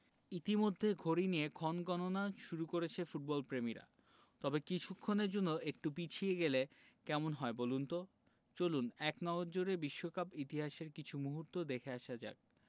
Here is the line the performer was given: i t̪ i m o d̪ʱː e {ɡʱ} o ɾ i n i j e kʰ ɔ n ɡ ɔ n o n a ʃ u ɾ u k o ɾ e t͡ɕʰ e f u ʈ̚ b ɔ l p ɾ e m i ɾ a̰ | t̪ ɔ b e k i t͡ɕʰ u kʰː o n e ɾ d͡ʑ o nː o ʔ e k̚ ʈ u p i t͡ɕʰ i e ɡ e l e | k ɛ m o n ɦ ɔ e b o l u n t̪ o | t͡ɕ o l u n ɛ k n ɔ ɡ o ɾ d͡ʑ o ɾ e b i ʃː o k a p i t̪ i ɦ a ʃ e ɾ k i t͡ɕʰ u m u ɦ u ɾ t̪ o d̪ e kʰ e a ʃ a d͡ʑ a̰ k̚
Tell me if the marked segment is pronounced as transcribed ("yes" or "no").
yes